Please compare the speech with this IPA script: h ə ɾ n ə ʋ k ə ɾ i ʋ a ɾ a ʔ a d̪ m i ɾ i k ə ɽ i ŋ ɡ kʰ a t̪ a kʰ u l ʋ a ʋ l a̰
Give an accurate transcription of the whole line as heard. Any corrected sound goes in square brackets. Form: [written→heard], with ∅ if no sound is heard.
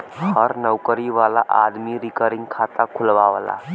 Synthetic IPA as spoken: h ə ɾ n ə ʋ k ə ɾ i ʋ a [ɾ→l] a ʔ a d̪ m i ɾ i k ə [ɽ→ɾ] i ŋ ɡ kʰ a t̪ a kʰ u l ʋ a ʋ l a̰